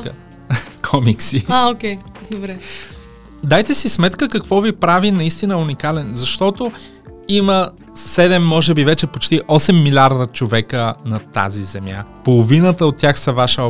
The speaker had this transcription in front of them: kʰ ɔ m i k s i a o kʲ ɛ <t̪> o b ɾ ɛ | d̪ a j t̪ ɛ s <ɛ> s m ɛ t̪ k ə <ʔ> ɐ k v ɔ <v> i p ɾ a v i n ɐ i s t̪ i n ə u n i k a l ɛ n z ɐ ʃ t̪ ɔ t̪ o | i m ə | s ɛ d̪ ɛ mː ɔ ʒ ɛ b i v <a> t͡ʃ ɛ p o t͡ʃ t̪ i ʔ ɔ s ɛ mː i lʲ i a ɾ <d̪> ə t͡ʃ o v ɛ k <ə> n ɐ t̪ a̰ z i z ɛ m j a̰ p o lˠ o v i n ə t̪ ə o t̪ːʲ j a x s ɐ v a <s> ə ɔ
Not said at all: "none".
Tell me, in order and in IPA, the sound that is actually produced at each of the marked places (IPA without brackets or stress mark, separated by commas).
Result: d̪, i, k, v, ɛ, d̪, ə, ʃ